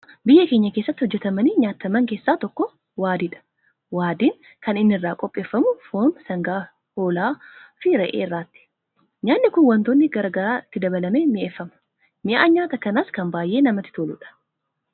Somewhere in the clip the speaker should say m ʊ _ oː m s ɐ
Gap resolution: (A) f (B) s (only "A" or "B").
A